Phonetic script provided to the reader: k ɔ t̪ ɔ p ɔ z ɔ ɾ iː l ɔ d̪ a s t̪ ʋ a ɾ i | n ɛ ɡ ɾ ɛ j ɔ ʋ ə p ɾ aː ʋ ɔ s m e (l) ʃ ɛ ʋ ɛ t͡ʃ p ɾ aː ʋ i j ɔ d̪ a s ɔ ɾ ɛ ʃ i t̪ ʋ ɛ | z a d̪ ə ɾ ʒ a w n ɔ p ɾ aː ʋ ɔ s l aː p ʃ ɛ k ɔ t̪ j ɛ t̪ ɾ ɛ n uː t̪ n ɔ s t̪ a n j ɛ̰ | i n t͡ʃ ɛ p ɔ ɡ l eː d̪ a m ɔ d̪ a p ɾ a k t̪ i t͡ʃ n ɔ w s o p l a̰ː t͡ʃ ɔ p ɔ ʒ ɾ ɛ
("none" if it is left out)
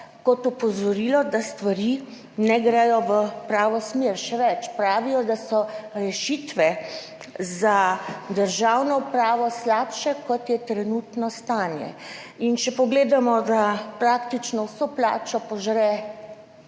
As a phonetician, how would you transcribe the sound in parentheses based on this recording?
ɾ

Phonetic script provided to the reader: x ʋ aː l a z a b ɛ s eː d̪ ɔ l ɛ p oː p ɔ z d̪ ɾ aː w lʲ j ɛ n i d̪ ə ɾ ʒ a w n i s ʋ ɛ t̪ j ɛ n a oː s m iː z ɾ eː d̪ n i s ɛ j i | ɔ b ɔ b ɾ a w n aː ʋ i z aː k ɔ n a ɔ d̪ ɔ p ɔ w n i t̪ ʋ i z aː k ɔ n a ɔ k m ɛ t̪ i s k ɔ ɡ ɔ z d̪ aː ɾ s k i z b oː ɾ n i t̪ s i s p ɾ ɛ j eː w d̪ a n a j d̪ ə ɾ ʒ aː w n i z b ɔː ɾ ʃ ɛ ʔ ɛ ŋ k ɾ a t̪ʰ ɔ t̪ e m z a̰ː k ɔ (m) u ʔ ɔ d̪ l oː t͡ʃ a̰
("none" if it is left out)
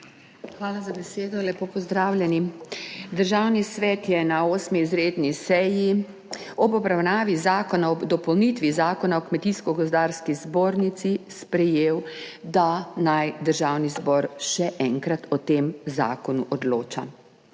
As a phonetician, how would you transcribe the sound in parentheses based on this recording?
n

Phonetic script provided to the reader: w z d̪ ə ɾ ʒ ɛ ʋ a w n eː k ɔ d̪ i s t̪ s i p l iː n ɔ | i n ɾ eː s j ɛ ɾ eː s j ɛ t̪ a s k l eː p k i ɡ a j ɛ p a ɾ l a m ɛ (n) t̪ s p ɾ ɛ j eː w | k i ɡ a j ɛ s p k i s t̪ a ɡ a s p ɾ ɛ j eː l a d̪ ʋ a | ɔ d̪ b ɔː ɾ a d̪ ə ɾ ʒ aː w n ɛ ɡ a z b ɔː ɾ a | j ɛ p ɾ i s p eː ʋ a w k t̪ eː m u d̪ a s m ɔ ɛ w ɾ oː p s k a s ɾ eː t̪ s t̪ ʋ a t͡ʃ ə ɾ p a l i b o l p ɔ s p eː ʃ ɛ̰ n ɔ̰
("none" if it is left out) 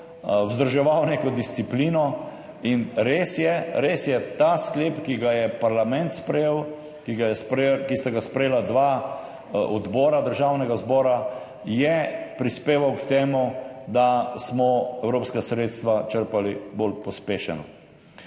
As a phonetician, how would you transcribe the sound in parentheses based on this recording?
n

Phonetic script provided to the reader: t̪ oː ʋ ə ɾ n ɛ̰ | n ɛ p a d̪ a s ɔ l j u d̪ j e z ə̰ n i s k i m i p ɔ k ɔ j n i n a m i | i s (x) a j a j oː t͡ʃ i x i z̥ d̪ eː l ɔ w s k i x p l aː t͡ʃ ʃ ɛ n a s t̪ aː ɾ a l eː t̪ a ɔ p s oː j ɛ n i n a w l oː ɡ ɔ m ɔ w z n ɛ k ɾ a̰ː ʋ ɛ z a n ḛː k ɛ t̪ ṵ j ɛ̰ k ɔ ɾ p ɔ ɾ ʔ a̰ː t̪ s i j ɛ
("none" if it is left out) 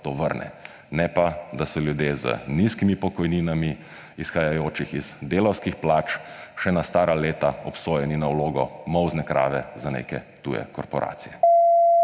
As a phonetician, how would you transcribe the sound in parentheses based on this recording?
x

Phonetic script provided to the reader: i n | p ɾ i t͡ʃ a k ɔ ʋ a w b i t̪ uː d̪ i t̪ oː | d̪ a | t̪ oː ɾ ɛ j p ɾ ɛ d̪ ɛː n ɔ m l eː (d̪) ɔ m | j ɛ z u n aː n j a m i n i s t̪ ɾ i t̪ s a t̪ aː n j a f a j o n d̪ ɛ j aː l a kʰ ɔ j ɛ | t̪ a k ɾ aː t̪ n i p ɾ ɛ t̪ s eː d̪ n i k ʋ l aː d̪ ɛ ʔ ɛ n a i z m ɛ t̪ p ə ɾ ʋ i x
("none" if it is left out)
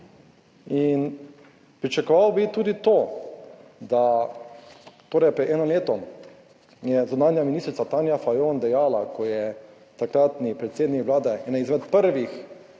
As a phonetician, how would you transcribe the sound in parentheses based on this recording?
t̪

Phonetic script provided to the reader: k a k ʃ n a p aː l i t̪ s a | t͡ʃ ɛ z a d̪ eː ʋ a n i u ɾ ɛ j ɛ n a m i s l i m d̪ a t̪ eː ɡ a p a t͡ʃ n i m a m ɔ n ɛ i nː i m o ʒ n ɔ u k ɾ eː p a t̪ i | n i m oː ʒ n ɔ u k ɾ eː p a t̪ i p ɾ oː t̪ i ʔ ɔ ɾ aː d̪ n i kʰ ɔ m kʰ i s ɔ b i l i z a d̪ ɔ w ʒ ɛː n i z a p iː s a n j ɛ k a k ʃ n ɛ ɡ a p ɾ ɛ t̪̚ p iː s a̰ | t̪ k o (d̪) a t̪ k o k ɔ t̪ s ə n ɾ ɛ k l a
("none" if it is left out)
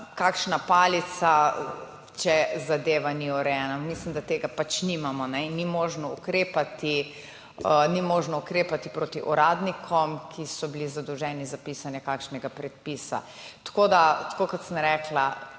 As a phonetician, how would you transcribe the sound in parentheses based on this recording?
d̪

